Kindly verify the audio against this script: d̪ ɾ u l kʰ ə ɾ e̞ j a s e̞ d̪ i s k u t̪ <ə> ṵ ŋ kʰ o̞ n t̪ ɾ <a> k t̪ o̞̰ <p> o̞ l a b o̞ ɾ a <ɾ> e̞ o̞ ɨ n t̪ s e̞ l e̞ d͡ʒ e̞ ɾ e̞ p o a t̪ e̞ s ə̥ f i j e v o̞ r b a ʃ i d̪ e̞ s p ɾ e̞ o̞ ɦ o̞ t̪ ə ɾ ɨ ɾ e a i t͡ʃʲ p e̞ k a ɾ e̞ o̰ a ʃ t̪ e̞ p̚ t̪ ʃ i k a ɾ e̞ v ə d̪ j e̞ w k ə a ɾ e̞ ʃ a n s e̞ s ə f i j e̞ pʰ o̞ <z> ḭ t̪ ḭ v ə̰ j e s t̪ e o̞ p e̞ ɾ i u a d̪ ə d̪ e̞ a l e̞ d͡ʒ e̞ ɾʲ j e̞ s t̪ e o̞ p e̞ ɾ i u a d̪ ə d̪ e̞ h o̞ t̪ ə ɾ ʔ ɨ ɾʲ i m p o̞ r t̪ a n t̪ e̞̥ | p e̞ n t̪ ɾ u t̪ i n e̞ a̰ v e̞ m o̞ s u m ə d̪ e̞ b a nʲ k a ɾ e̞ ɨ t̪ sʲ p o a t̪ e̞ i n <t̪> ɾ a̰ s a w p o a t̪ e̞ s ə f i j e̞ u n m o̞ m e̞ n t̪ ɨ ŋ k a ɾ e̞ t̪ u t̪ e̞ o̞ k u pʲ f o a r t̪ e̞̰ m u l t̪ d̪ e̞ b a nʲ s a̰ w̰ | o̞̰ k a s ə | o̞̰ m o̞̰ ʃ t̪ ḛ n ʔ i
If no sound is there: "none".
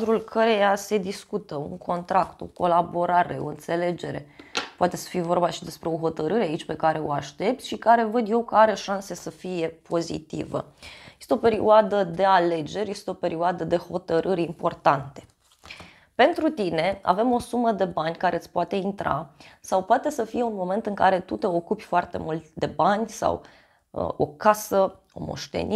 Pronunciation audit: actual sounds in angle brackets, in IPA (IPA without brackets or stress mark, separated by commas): ə, a, k, ɾ, z, t̪